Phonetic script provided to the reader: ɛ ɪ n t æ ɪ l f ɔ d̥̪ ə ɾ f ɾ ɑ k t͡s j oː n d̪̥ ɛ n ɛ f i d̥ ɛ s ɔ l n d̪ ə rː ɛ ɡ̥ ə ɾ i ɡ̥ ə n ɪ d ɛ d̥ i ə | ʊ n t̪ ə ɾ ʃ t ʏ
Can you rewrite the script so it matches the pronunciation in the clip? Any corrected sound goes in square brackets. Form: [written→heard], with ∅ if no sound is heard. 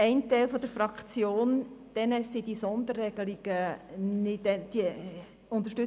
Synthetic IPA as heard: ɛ ɪ n t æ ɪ l f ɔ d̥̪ ə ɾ f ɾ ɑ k t͡s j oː n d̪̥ ɛ n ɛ [f→s] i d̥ [ɛ→i] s ɔ [l→∅] n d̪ ə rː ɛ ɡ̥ ə [ɾ→l] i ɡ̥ ə n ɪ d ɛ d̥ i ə | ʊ n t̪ ə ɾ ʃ t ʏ